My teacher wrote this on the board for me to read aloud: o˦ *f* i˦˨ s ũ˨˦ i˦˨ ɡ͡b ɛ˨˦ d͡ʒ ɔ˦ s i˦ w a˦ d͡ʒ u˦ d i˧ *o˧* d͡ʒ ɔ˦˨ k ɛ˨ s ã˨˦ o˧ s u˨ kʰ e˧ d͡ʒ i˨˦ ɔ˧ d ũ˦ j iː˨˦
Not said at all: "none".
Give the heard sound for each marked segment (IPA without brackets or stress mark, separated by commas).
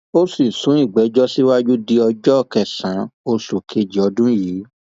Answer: s, ɔ˧